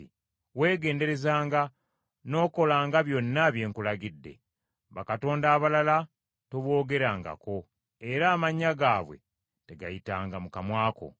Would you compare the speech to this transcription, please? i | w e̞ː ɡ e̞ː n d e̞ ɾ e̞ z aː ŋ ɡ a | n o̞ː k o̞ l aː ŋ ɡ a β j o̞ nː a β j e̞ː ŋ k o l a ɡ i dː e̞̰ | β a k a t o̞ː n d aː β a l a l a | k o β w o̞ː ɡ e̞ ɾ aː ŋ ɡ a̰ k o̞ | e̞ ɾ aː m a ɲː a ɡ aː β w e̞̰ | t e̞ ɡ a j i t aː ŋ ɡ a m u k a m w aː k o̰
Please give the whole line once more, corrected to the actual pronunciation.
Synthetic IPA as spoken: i | w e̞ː ɡ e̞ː n d e̞ ɾ e̞ z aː ŋ ɡ a | n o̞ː k o̞ l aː ŋ ɡ a β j o̞ nː a β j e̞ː ŋ k u l a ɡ i dː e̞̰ | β a k a t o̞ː n d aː β a l a l a | t o β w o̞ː ɡ e̞ ɾ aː ŋ ɡ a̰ k o̞ | e̞ ɾ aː m a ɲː a ɡ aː β w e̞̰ | t e̞ ɡ a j i t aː ŋ ɡ a m u k a m w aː k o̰